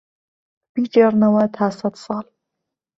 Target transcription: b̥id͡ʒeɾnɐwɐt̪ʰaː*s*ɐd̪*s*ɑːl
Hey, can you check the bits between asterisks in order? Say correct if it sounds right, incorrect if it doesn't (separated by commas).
correct, correct